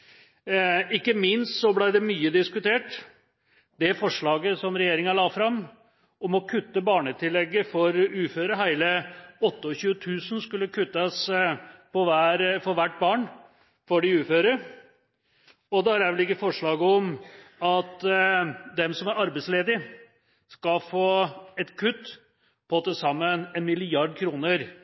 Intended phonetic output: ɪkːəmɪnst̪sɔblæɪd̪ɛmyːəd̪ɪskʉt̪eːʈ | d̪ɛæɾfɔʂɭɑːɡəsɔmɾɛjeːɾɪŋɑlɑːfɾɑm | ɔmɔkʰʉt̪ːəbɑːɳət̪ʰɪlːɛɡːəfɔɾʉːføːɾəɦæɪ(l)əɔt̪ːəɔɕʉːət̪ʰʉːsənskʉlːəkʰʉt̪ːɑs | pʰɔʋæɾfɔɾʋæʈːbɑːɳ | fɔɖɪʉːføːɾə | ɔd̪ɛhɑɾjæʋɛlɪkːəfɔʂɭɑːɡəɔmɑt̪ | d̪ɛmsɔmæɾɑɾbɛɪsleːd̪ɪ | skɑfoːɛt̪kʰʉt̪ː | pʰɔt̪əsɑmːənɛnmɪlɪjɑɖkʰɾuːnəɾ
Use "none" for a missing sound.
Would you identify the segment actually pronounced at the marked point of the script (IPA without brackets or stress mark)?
l